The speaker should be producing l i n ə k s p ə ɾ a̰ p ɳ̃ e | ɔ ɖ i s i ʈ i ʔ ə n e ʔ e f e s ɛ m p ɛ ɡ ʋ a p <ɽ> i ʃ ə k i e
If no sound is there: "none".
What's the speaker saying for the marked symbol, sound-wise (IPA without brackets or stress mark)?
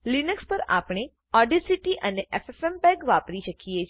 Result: ɾ